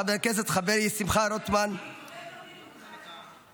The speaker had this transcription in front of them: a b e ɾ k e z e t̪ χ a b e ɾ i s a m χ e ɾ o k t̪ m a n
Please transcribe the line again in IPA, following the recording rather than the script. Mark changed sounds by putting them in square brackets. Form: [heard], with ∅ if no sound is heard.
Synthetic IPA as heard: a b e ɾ k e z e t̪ χ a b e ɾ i s [i] m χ [a] ɾ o [∅] t̪ m a n